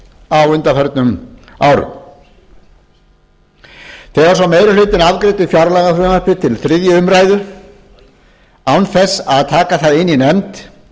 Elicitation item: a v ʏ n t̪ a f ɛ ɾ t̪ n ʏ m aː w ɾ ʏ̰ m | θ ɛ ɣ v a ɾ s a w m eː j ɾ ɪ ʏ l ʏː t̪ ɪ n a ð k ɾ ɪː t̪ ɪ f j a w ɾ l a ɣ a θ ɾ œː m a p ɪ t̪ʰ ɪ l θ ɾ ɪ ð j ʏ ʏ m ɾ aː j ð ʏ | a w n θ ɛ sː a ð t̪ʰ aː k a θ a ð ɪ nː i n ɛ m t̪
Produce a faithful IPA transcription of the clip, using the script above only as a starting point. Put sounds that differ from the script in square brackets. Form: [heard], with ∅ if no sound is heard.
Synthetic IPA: a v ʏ n t̪ a f ɛ ɾ t̪ n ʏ m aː w ɾ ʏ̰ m | θ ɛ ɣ v a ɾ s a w m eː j ɾ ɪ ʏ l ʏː t̪ ɪ n a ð k ɾ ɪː t̪ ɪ f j a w ɾ l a ɣ a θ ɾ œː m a p ɪ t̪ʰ ɪ l θ ɾ ɪ ð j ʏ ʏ m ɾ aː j ð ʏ | a w n θ ɛ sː a ð t̪ʰ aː k a θ a ð ɪ nː i n ɛ m t̪